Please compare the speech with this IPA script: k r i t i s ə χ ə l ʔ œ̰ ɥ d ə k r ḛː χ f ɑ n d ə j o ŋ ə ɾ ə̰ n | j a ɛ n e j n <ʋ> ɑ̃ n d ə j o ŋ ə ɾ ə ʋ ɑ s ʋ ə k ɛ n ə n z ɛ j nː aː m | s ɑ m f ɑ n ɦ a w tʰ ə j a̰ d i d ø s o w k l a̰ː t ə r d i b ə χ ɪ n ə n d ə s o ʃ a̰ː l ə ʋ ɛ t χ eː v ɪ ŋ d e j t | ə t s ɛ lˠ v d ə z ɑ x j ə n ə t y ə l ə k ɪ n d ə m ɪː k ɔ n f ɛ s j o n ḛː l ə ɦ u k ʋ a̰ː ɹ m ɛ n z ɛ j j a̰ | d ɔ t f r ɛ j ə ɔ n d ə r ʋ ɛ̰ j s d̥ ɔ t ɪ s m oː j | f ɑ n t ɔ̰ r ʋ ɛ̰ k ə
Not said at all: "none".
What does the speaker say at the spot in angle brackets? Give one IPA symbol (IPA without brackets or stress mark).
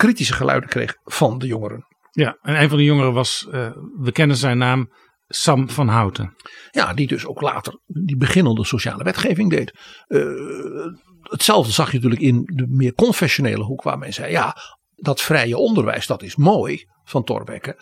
v